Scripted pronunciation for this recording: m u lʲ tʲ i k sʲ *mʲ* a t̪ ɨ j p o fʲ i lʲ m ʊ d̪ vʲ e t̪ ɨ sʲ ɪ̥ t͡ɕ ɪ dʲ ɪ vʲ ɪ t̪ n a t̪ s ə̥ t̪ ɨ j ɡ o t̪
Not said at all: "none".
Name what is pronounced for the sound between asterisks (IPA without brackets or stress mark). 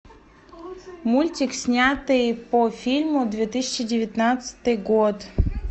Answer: nʲ